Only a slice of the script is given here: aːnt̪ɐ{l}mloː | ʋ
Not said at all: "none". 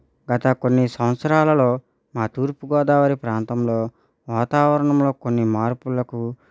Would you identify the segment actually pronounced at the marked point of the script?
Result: none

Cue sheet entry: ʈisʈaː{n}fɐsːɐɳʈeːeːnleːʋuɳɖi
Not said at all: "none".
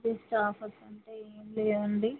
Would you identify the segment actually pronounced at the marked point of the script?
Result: none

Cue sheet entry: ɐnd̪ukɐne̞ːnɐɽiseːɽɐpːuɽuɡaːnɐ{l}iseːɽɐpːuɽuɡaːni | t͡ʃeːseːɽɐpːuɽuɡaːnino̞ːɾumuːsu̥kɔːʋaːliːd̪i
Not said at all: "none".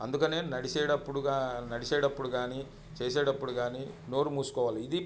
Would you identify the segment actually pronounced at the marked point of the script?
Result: ɽ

